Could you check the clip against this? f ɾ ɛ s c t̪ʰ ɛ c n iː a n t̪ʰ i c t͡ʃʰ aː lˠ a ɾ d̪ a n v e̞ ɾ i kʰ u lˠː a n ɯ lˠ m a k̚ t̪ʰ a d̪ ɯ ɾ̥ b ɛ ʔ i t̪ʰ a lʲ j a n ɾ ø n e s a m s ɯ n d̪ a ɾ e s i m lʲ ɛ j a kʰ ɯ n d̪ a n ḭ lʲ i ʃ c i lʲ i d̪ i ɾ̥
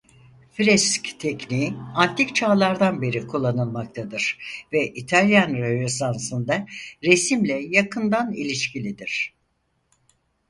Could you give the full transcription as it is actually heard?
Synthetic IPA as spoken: f ɾ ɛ s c t̪ʰ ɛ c n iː a n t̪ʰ i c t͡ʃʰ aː lˠ a ɾ d̪ a n b e̞ ɾ i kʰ u lˠː a n ɯ lˠ m a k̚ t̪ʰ a d̪ ɯ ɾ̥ v ɛ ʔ i t̪ʰ a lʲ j a n ɾ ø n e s a n s ɯ n d̪ a ɾ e s i m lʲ ɛ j a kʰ ɯ n d̪ a n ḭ lʲ i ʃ c i lʲ i d̪ i ɾ̥